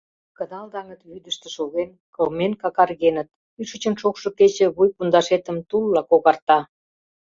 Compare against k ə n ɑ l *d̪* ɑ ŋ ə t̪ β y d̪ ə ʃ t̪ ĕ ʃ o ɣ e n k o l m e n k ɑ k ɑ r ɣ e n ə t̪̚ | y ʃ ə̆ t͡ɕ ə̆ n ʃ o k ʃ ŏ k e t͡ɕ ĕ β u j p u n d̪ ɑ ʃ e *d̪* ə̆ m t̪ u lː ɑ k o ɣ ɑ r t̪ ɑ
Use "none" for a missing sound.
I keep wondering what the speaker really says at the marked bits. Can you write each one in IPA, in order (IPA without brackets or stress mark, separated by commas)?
d̪, t̪